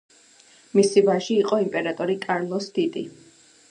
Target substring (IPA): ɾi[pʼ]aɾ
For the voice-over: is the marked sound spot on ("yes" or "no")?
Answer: no